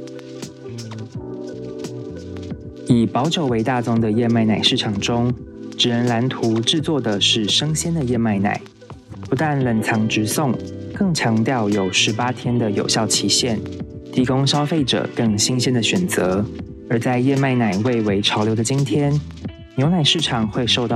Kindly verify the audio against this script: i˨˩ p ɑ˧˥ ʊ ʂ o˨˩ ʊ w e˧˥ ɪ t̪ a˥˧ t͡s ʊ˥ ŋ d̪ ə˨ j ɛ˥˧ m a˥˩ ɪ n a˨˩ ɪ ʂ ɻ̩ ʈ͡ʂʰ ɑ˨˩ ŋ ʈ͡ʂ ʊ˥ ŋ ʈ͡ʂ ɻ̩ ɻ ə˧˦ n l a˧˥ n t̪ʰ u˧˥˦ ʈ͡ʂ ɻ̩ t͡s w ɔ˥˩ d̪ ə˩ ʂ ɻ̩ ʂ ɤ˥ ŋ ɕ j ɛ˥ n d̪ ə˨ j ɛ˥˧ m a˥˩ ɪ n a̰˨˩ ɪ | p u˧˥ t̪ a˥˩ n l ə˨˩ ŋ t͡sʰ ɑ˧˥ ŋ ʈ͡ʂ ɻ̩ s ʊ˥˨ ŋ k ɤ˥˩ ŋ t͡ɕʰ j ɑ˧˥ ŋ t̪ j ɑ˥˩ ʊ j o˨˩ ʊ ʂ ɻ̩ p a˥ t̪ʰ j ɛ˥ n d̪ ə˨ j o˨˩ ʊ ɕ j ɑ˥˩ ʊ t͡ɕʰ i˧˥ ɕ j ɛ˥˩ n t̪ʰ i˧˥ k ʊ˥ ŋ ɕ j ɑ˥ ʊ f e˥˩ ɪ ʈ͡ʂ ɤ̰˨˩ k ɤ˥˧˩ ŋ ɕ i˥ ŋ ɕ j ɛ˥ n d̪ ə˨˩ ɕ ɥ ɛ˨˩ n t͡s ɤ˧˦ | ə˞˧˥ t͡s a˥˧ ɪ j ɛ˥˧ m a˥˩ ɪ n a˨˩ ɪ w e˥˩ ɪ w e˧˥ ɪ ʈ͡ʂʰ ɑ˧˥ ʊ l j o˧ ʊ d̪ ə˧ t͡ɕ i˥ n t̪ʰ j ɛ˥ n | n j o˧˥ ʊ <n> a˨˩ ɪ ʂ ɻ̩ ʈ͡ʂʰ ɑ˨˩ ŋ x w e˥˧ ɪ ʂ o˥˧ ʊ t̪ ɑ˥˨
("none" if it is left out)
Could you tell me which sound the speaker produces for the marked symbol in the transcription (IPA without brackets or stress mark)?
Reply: n